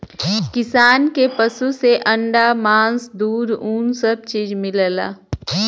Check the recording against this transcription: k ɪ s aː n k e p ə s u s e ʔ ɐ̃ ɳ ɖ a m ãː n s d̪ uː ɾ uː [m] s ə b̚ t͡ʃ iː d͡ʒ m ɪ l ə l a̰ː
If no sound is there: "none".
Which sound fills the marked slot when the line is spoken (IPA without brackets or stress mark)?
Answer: n